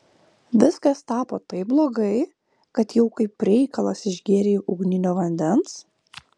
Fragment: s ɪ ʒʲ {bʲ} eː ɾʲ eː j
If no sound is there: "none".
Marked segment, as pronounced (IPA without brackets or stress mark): ɡʲ